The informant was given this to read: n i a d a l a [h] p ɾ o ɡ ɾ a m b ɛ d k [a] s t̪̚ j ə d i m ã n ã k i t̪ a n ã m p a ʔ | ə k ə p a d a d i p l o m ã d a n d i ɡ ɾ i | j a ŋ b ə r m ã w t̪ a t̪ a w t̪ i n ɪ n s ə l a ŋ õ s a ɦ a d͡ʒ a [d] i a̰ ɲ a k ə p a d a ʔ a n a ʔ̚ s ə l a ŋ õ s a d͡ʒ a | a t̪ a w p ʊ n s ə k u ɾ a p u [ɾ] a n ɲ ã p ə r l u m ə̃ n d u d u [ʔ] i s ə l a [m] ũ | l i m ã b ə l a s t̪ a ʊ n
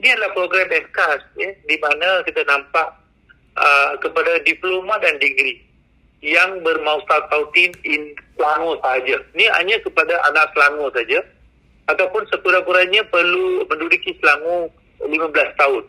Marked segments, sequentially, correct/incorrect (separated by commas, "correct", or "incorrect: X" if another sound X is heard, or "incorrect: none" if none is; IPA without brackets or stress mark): correct, correct, incorrect: n, correct, incorrect: k, incorrect: ŋ